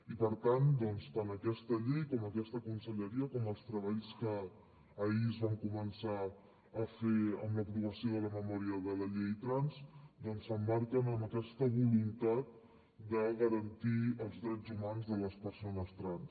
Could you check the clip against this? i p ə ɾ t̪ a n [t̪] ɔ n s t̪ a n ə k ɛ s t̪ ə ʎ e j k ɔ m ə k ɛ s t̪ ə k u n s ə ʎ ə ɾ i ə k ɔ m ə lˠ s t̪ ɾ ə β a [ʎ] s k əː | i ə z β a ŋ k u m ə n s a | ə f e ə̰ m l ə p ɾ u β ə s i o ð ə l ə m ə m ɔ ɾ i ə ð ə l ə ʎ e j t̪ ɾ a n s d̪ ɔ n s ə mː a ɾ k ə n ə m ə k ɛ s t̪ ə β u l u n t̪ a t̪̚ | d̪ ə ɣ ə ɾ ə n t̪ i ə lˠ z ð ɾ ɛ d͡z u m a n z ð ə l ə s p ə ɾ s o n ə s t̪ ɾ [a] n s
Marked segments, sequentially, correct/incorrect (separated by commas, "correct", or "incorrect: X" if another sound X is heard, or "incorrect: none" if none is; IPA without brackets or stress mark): incorrect: d̪, correct, correct